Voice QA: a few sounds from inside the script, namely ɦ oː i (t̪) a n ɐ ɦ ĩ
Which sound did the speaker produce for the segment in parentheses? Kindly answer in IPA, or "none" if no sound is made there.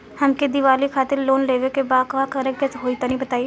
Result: t̪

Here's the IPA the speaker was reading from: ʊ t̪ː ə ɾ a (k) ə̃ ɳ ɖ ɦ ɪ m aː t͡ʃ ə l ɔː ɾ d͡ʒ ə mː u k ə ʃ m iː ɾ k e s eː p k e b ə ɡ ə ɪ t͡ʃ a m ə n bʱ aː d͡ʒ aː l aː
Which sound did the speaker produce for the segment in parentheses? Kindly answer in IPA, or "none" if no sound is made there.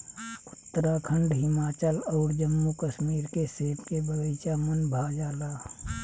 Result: kʰ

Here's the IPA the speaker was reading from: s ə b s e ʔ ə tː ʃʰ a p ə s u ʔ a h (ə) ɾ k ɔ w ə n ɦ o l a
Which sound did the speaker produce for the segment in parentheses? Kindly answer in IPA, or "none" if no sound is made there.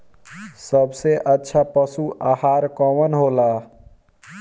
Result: a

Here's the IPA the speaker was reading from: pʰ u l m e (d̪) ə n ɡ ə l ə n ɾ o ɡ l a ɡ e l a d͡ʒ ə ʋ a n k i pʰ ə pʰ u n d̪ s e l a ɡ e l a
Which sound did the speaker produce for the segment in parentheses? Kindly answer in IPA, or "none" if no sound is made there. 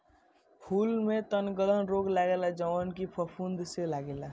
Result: t̪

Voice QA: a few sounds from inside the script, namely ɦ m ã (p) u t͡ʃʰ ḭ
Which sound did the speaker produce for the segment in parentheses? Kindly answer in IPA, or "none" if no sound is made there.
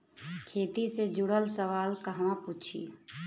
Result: p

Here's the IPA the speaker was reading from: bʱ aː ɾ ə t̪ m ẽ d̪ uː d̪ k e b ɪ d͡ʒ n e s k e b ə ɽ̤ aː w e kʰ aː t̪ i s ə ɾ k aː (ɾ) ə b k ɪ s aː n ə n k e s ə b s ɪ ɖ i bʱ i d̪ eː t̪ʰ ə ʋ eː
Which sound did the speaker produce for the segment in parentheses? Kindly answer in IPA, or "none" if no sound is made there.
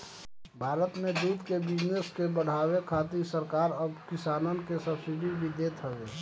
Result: ɾ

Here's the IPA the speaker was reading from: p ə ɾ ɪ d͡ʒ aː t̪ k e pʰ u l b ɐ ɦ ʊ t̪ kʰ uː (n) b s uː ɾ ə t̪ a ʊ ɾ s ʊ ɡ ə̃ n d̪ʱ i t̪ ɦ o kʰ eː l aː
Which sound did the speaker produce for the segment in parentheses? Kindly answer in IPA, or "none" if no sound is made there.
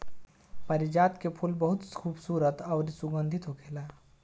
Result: none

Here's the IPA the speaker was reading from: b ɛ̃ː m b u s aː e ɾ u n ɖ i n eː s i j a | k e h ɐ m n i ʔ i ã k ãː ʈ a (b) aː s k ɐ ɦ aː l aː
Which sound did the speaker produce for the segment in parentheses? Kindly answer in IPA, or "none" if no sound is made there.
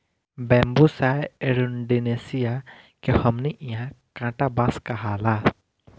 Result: b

